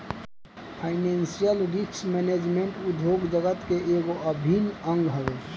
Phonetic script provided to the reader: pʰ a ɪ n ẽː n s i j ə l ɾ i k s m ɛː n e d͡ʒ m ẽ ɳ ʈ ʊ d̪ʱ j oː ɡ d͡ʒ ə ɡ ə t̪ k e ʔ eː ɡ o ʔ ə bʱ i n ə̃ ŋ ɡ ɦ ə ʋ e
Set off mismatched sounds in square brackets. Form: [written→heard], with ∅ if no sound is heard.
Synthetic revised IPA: pʰ a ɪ n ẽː n s i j ə l ɾ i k s m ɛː n e d͡ʒ m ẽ ɳ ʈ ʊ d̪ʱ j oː ɡ d͡ʒ ə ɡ ə t̪ k e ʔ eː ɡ o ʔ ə bʱ i n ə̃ ŋ ɡ ɦ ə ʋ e